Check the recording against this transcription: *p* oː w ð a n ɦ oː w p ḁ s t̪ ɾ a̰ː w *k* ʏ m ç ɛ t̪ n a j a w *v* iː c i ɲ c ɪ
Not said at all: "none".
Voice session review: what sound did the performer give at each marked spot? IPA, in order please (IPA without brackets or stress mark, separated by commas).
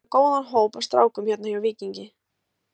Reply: k, k, v